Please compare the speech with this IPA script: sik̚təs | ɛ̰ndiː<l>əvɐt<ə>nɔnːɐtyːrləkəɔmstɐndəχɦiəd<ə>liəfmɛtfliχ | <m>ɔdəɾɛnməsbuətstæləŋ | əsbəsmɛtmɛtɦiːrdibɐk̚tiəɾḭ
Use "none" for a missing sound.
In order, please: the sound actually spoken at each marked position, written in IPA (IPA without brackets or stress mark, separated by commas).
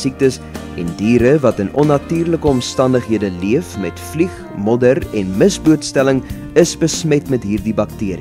ɾ, ə, ə, m